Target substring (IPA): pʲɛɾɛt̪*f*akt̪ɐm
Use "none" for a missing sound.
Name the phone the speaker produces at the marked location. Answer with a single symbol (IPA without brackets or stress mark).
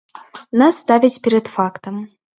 f